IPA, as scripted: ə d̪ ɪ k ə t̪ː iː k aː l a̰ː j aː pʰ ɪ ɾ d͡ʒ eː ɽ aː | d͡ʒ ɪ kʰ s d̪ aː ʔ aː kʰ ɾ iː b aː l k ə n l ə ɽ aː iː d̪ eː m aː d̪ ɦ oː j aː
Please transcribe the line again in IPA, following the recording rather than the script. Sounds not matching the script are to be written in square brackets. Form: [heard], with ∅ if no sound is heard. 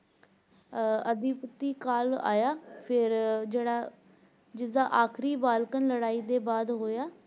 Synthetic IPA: ə d̪ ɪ [p] ə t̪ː iː k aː l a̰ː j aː pʰ ɪ ɾ d͡ʒ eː ɽ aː | d͡ʒ ɪ [∅] s d̪ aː ʔ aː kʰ ɾ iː b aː l k ə n l ə ɽ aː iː d̪ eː [b] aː d̪ ɦ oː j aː